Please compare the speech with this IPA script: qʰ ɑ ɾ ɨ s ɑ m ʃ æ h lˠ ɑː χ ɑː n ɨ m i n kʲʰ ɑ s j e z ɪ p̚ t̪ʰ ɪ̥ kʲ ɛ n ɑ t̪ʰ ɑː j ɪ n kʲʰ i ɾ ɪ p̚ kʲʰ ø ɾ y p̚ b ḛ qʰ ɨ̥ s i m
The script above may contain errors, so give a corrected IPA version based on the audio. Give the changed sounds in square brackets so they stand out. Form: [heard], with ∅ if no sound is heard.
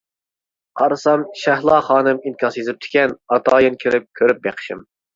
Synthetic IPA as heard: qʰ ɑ ɾ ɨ s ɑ m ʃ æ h lˠ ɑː χ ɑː n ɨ m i n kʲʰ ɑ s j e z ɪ p̚ t̪ʰ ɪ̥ kʲ ɛ n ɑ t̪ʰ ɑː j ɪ n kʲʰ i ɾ ɪ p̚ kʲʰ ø ɾ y p̚ b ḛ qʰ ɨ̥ [ʃ] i m